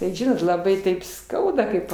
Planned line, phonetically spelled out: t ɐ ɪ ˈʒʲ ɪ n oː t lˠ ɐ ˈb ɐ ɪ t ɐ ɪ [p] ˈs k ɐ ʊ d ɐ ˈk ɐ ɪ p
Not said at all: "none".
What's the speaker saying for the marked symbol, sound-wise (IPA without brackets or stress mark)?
p